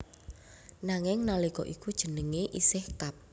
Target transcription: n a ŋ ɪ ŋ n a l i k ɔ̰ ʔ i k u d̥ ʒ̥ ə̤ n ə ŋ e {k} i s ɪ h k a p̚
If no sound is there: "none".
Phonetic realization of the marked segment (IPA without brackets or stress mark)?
ʔ